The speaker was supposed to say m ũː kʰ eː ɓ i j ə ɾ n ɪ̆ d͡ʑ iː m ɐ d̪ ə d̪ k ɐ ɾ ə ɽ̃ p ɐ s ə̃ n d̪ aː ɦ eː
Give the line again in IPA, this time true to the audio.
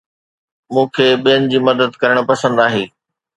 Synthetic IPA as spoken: m ũː kʰ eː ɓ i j ə n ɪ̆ d͡ʑ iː m ɐ d̪ ə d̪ k ɐ ɾ ə ɽ̃ p ɐ s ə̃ n d̪ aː ɦ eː